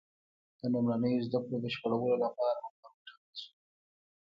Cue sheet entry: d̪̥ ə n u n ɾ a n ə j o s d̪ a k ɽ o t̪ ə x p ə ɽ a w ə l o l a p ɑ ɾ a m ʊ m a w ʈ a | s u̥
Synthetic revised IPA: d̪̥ ə n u m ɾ a n ə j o z d̪ a k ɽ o d̪ ə ʃ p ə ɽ a w ə l o l a p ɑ ɾ a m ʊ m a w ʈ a | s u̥